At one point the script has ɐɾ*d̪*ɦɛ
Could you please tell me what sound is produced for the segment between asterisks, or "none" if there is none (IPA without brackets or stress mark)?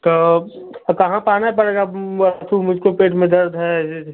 d̪